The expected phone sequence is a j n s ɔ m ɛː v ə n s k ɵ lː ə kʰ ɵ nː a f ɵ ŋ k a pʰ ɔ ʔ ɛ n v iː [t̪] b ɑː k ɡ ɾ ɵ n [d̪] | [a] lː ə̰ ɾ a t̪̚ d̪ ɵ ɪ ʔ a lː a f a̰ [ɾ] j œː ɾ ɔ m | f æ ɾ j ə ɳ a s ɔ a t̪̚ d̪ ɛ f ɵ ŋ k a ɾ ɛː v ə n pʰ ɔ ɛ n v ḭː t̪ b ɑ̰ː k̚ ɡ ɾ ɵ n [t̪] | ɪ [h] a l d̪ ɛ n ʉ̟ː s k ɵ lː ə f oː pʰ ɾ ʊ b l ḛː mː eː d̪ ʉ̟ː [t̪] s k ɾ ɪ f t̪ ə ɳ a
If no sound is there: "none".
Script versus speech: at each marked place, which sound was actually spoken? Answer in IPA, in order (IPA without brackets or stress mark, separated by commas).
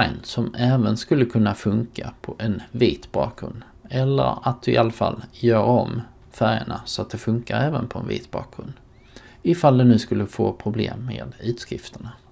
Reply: t̪, d̪, ɛ, l, d̪, f, t̪